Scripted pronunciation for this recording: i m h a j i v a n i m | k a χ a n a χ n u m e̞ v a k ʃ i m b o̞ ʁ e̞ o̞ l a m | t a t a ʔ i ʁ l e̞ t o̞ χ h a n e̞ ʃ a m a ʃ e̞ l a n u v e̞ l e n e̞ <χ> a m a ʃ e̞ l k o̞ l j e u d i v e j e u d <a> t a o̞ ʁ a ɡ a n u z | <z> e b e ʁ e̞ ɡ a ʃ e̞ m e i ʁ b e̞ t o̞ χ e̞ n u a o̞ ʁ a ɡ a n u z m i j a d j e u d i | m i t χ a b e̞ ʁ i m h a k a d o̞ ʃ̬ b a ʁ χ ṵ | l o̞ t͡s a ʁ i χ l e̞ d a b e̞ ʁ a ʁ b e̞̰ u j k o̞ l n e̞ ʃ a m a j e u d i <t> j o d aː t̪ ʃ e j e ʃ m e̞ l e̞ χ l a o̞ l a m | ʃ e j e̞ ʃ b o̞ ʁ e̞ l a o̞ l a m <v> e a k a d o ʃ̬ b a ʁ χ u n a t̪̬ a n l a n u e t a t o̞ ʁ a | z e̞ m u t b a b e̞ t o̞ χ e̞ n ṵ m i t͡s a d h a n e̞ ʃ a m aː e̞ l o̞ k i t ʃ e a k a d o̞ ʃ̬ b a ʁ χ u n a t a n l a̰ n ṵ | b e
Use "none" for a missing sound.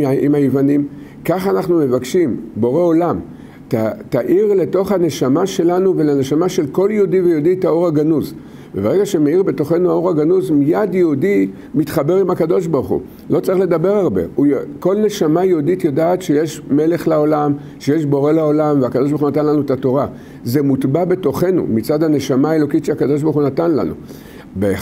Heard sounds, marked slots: ʃ, i, v, t, v

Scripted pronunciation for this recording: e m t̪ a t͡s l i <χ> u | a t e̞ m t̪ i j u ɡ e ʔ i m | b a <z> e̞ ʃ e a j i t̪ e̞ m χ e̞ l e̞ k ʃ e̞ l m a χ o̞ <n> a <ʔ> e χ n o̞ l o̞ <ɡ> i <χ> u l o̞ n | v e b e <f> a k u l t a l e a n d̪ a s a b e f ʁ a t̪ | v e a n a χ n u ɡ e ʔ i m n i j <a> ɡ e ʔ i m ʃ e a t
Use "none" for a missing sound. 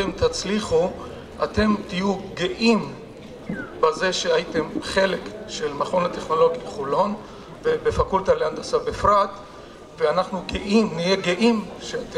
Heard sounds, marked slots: χ, z, n, t, ɡ, χ, f, e

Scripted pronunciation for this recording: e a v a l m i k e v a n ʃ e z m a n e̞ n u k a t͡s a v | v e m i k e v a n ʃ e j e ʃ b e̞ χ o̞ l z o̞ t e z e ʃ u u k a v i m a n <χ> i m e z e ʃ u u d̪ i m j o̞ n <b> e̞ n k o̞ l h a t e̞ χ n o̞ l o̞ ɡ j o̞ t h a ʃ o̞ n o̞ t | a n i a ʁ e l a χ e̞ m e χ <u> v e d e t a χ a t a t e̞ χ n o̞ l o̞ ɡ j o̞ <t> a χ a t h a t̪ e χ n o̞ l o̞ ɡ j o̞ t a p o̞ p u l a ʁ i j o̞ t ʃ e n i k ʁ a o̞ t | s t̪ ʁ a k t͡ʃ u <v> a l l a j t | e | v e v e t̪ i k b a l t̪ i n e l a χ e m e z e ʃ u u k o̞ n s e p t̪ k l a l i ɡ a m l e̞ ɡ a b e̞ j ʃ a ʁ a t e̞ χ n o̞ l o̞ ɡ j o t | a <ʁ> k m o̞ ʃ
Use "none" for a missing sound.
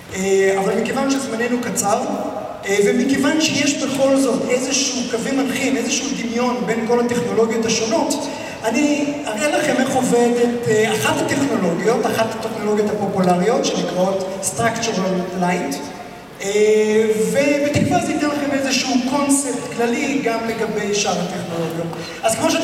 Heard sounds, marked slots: χ, b, o, t, ʁ, z

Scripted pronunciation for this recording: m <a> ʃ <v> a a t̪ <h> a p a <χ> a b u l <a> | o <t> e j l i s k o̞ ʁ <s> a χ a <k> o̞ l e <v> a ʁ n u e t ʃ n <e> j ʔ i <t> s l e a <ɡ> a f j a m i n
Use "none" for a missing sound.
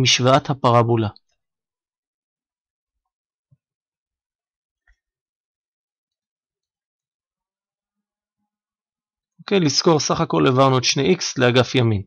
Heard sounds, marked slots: i, v, h, ʁ, a, k, s, k, v, e, k, ɡ

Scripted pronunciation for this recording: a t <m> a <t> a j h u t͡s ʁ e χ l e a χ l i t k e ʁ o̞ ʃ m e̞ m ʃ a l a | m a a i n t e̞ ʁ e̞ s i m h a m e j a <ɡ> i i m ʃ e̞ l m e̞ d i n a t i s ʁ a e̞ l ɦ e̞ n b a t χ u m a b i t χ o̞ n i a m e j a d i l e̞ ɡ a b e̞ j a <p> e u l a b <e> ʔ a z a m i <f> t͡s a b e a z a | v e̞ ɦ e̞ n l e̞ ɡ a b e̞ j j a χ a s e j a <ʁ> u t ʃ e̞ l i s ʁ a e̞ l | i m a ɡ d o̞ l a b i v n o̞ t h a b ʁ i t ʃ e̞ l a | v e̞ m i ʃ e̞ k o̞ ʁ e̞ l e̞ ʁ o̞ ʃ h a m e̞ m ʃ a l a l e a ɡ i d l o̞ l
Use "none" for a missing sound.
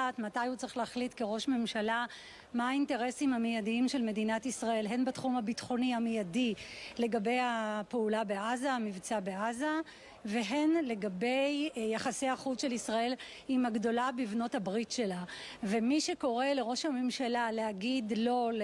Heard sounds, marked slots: m, t, d, p, e, v, χ

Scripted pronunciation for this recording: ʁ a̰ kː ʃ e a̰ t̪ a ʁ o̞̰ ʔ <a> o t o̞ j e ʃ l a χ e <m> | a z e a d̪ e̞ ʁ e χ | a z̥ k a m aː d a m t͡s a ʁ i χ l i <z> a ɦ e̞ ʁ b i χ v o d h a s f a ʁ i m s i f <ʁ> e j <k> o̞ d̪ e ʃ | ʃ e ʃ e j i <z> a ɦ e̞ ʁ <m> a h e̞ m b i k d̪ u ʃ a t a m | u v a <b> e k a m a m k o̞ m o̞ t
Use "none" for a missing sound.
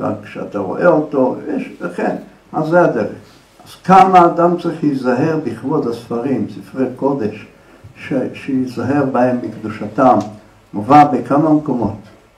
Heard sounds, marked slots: e, n, z, ʁ, k, z, b, b

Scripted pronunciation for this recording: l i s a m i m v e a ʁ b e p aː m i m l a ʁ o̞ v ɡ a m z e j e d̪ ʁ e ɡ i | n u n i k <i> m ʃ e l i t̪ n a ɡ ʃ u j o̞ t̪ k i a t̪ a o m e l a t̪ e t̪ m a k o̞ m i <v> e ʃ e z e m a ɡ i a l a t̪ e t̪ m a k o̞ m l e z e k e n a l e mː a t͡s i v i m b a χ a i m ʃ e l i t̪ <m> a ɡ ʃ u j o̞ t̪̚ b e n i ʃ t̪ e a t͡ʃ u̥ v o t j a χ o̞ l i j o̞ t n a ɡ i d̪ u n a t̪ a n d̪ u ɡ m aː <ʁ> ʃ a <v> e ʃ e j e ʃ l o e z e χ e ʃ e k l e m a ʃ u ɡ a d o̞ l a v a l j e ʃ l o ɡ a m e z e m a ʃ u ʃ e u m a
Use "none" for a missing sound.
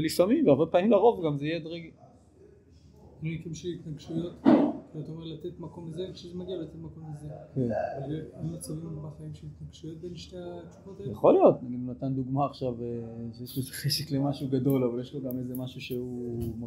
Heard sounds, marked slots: i, z, n, χ, v

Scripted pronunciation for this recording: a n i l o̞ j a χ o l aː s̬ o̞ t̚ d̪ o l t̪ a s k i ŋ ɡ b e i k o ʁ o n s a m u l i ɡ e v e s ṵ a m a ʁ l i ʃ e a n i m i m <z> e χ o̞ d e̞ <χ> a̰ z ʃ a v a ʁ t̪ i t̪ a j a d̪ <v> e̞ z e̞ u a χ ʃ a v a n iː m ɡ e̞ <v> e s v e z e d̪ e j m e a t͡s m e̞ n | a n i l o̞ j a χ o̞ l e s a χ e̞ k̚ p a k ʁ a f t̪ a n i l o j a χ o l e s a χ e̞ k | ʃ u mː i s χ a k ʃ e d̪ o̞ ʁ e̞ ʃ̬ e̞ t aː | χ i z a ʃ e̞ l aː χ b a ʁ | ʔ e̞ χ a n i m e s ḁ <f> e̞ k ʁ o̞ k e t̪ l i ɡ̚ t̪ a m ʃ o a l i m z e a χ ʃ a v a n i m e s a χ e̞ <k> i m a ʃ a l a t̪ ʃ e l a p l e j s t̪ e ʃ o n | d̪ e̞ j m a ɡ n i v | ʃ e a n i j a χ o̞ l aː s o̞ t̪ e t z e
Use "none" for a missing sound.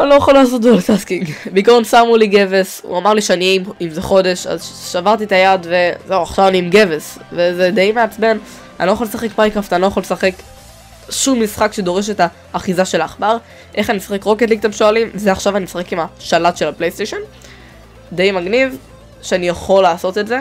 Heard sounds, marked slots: z, ʃ, v, v, χ, k

